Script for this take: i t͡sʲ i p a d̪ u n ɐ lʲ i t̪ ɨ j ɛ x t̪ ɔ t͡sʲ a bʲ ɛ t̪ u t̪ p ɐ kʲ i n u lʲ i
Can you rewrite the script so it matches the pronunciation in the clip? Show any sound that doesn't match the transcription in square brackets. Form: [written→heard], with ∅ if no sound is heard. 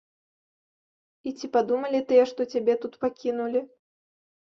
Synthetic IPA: i t͡sʲ i p a d̪ u [n→m] ɐ lʲ i t̪ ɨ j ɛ [x→ʂ] t̪ ɔ t͡sʲ a bʲ ɛ t̪ u t̪ p [ɐ→a] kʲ i n u lʲ i